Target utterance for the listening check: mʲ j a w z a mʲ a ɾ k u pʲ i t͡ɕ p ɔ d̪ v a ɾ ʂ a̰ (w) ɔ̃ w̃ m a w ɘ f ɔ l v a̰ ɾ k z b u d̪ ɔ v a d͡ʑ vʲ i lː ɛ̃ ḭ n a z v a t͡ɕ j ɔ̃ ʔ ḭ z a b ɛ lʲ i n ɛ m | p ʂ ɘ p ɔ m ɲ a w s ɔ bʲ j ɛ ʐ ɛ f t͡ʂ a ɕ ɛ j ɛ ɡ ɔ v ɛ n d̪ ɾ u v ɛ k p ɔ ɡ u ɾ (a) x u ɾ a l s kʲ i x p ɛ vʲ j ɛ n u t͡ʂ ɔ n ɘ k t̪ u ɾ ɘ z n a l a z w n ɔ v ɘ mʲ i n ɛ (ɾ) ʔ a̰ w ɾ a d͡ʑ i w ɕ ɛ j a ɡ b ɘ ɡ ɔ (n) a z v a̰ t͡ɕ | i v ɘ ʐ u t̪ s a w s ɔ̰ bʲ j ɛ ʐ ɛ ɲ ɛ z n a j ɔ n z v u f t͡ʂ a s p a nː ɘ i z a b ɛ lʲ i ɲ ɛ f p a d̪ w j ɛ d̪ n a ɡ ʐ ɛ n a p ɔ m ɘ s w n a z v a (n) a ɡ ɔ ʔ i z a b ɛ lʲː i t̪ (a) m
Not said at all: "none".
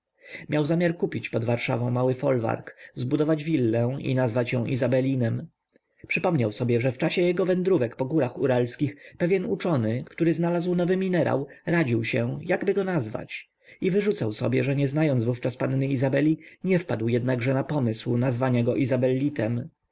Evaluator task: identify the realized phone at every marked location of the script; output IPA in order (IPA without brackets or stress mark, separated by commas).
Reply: v, a, ɾ, n, ɲ, ɛ